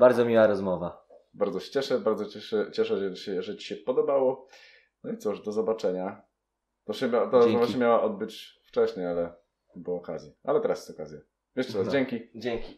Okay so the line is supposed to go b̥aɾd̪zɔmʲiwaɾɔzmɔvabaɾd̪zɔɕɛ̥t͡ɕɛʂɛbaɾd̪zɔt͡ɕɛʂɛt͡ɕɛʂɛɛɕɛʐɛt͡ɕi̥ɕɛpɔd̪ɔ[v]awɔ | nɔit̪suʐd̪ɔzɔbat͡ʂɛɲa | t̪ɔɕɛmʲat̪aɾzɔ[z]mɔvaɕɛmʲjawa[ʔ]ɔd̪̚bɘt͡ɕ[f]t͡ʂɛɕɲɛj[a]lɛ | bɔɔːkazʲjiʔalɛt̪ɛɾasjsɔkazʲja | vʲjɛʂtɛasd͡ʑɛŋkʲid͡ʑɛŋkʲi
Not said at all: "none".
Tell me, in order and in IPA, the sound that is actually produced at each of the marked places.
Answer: b, z, ʔ, f, a

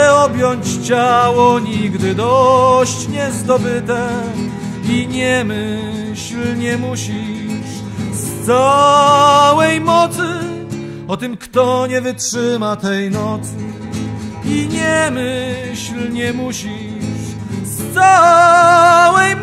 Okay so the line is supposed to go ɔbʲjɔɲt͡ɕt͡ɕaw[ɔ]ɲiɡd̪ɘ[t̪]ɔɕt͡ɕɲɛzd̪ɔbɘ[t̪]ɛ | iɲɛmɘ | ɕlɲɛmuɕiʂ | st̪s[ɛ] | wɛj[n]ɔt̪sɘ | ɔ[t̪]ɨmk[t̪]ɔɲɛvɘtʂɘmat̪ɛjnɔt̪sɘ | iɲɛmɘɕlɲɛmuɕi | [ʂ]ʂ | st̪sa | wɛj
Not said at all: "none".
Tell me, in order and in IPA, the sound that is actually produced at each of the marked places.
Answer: ɔ, d̪, t̪, a, m, t̪, t̪, ʂ

